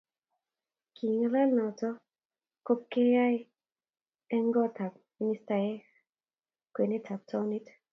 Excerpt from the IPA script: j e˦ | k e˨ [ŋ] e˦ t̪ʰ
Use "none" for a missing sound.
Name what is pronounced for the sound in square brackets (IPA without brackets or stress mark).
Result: n